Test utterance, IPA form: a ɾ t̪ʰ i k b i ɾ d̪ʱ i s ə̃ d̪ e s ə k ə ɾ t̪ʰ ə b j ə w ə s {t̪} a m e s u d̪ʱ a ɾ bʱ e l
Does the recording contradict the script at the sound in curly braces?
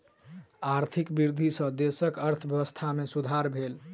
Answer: yes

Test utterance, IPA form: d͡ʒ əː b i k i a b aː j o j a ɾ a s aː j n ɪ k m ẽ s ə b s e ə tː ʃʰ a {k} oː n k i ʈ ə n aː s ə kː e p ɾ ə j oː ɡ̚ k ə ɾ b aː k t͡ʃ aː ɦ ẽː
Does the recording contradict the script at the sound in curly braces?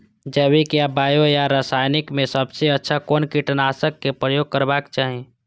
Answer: no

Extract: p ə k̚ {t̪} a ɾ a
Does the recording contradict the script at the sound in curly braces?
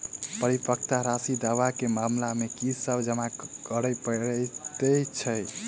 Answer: no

